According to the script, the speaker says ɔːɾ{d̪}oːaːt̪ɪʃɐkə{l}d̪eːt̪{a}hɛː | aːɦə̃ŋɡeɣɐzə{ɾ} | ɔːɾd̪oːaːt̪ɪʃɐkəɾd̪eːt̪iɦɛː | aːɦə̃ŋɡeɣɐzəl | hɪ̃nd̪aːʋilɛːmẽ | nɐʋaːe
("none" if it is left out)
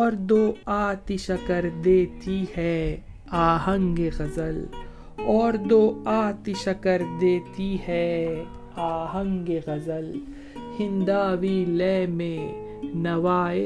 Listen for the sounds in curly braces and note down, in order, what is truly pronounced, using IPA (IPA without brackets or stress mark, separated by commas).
d̪, ɾ, i, l